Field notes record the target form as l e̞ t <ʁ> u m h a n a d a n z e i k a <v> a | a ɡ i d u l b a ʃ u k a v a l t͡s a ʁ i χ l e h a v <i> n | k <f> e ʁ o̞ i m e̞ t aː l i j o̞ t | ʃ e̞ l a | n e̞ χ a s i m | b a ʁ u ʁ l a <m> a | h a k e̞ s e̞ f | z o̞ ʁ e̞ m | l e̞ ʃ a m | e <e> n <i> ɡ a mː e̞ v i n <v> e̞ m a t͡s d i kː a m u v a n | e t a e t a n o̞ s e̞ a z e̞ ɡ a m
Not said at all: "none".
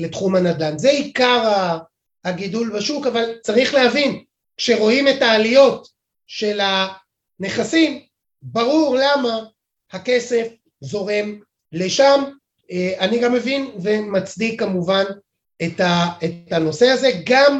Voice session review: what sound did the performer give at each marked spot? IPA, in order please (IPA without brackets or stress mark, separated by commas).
χ, ʁ, i, ʃ, m, a, i, v